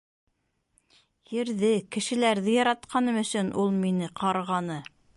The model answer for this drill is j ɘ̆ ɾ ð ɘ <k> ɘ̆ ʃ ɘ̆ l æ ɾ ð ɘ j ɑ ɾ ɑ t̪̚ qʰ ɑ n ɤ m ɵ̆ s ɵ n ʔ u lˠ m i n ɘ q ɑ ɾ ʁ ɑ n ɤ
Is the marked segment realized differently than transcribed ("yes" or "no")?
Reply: no